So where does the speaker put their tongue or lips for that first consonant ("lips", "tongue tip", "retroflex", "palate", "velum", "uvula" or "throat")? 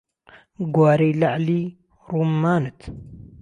velum